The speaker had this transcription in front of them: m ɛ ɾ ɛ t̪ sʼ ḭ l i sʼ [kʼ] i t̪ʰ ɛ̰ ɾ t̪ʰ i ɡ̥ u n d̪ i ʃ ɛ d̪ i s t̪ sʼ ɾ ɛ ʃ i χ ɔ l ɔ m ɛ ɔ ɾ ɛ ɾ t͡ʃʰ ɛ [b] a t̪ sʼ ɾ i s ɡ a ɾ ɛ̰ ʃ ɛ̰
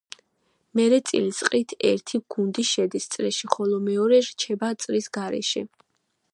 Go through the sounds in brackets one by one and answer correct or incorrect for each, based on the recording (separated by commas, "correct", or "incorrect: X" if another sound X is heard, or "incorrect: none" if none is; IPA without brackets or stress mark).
incorrect: qʼ, correct